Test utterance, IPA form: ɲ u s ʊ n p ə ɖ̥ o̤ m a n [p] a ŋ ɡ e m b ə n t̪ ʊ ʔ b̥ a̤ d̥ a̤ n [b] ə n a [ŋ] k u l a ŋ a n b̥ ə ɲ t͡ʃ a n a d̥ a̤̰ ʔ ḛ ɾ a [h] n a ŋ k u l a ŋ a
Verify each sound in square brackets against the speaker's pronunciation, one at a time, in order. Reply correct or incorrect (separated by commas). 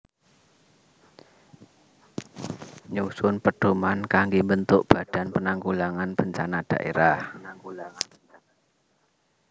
incorrect, incorrect, correct, correct